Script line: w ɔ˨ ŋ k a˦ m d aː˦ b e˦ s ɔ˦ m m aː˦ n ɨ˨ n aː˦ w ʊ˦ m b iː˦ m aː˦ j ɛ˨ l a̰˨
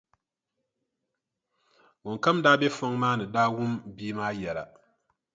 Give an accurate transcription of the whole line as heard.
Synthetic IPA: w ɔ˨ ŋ k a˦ m d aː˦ b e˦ f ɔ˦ ŋ m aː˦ n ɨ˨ d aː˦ w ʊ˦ m b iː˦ m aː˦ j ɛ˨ l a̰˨